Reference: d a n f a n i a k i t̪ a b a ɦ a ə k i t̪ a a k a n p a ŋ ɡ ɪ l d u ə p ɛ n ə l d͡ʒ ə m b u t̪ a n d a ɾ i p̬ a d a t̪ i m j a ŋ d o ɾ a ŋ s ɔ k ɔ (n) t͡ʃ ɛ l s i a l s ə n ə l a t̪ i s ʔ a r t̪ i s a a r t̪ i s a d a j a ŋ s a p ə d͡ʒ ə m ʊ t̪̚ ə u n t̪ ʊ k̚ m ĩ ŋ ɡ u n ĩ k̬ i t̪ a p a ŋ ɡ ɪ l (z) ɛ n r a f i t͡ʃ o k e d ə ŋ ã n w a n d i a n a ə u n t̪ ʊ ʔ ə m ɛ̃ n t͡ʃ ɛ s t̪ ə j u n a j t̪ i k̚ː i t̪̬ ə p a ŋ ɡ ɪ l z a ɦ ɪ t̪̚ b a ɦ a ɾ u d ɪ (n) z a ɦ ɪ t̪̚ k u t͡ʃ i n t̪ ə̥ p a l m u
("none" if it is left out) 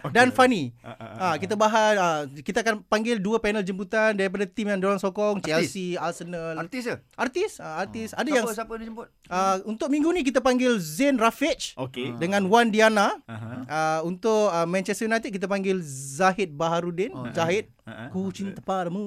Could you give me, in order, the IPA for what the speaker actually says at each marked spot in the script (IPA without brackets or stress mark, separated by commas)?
ŋ, z, n